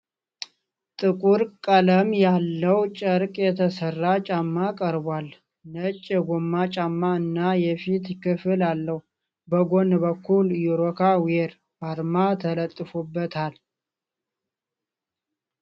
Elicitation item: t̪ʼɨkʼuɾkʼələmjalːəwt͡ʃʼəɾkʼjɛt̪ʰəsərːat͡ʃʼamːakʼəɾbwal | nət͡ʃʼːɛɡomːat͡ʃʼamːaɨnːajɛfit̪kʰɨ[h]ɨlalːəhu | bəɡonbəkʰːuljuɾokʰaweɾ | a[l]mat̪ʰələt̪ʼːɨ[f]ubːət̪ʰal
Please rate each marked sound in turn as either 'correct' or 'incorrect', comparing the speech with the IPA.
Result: incorrect: f, incorrect: ɾ, correct

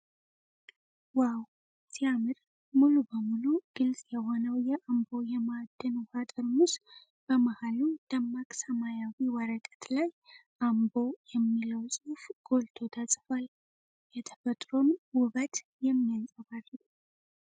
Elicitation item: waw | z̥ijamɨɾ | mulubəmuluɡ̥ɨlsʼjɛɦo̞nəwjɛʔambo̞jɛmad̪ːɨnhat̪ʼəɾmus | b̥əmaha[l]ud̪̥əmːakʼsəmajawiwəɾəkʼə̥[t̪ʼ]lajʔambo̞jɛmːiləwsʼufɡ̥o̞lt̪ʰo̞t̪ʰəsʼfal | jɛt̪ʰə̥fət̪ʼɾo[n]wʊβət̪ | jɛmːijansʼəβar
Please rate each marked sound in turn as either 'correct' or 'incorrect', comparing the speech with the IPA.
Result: correct, incorrect: t̪, correct

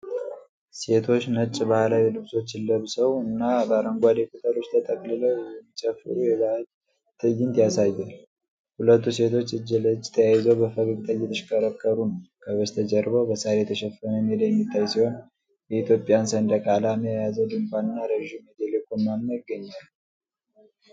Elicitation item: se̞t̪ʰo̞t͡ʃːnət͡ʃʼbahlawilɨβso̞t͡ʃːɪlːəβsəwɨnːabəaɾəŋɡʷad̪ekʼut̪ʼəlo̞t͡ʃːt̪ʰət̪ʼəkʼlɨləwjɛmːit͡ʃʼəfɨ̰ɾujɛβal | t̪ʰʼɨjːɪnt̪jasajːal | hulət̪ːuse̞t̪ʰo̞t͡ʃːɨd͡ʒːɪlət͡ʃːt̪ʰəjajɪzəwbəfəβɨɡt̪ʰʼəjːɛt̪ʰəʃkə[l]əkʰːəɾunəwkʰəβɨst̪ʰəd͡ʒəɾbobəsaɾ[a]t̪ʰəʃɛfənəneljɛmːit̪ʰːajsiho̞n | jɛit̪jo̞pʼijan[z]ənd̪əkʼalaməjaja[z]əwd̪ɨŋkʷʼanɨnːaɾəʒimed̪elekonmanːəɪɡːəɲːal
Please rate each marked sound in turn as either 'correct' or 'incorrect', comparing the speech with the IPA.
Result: incorrect: ɾ, incorrect: e, incorrect: s, correct

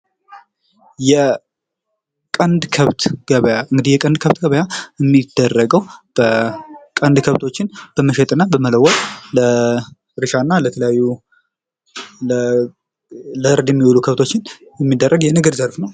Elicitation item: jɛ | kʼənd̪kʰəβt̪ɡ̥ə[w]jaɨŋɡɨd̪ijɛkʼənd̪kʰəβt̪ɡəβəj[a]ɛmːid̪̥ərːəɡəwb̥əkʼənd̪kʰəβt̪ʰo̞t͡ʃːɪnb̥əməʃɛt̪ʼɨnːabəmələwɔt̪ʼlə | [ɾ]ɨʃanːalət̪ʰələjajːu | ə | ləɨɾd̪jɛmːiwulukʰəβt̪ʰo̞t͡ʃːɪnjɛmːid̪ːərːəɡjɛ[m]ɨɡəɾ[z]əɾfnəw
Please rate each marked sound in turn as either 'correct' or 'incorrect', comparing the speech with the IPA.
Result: incorrect: β, correct, correct, incorrect: n, correct

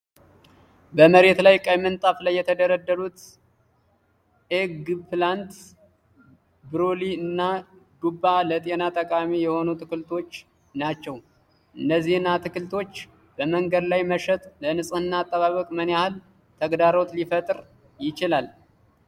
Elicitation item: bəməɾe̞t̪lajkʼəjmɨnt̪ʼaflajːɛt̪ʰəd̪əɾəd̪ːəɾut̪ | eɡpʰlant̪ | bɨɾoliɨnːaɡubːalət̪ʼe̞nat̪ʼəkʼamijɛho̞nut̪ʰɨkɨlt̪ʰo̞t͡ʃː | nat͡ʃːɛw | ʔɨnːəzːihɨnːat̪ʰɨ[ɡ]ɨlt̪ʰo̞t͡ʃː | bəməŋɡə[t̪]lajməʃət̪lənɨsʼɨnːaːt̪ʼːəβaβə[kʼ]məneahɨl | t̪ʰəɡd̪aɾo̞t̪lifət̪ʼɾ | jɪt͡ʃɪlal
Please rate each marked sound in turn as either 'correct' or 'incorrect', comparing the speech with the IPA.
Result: incorrect: k, incorrect: d̪, correct

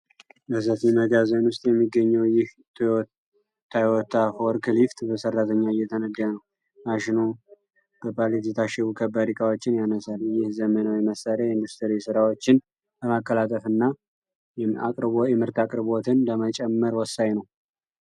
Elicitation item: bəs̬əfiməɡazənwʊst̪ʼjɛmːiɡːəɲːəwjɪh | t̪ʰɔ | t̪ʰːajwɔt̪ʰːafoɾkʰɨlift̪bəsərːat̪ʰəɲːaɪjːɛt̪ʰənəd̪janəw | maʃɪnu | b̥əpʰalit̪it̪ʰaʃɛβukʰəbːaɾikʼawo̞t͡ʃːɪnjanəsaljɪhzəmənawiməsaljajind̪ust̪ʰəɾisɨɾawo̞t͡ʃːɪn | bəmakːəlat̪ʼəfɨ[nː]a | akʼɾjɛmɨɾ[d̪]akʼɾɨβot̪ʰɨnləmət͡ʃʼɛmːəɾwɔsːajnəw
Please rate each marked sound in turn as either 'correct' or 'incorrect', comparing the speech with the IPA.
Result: correct, incorrect: t̪

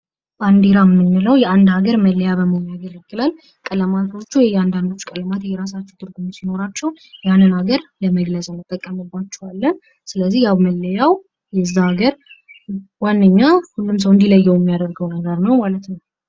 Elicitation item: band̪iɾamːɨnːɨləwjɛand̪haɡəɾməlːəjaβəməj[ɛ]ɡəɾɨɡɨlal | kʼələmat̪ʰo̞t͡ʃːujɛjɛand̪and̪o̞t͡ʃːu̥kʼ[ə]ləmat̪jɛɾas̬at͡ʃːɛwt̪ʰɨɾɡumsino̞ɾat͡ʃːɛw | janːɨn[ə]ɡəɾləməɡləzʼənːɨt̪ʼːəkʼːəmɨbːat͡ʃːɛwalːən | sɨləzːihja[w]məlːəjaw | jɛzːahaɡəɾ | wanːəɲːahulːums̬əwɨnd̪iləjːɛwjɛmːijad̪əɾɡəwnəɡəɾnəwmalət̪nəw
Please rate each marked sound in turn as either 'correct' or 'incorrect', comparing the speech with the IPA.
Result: incorrect: a, correct, incorrect: a, correct

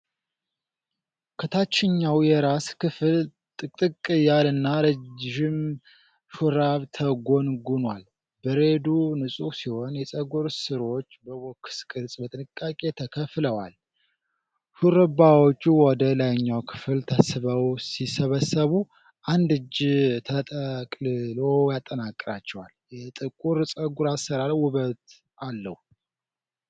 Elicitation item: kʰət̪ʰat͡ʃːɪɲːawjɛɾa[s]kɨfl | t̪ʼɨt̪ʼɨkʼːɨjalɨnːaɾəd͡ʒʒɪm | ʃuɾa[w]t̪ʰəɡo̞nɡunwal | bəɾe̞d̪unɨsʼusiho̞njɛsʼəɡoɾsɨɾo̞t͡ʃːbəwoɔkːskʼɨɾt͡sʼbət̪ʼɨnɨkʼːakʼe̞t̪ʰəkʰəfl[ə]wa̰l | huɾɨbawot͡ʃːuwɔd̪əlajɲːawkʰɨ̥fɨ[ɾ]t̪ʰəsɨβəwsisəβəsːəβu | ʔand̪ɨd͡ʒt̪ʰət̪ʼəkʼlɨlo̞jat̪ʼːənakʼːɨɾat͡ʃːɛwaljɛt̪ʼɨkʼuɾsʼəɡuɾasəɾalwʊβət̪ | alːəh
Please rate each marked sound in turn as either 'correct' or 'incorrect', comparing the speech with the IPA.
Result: correct, incorrect: β, correct, incorrect: l

